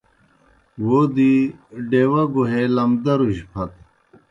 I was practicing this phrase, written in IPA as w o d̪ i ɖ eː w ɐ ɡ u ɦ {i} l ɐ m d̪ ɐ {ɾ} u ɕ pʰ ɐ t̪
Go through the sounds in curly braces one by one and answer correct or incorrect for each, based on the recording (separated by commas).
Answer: incorrect, correct